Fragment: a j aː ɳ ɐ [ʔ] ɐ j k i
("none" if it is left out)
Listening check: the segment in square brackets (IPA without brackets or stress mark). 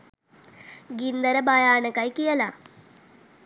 k